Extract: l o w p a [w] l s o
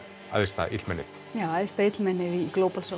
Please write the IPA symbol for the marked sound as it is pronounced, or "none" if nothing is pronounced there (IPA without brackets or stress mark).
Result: none